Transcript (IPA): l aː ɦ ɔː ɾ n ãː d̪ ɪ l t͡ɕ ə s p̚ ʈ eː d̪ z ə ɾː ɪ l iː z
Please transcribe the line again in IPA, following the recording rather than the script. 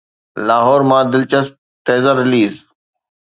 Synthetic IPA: l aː ɦ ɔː ɾ m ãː d̪ ɪ l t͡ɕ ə s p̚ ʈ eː z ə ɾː ɪ l iː z

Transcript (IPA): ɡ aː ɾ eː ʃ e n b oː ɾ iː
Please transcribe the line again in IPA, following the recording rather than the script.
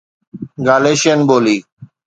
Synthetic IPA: ɡ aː l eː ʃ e n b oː l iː

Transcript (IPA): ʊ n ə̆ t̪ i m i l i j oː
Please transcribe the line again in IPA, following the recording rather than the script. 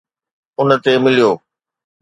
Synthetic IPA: ʊ n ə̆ t̪ e m ɪ l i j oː

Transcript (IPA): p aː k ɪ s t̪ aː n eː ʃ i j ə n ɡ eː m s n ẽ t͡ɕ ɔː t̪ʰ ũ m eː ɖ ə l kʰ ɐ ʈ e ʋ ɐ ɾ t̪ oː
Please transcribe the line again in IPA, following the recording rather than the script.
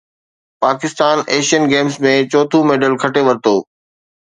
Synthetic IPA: p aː k ɪ s t̪ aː n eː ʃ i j ə n ɡ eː m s m ẽ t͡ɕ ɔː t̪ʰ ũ m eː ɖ ə l kʰ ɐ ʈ e ʋ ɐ ɾ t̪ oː

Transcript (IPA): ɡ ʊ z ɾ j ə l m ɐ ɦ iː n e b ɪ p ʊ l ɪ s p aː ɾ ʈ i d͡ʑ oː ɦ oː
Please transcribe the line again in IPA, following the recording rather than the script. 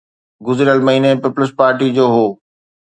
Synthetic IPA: ɡ ʊ z ɾ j ə l m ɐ ɦ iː n e p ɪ p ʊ l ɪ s p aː ɾ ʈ i d͡ʑ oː ɦ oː

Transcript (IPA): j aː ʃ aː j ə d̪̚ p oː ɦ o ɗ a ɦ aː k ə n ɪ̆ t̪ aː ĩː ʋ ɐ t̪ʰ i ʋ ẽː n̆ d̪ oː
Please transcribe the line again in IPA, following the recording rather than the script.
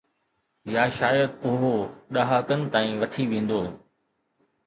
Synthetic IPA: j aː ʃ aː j ə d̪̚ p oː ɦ o ɗ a ɦ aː k ə n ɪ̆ t̪ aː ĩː ʋ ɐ t̪ʰ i ʋ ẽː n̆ d̪ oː

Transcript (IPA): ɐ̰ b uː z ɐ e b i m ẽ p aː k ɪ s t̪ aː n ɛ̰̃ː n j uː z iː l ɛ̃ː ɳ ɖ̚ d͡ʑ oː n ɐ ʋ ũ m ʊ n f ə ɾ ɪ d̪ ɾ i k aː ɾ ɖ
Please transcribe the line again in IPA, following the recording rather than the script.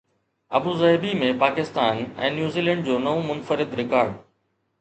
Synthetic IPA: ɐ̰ b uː z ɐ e b i m ẽ p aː k ɪ s t̪ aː n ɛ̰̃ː n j uː z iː l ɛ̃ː ɳ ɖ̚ d͡ʑ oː n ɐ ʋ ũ m ʊ n f ə ɾ ɪ d̪ ɾ ɪ k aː ɾ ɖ

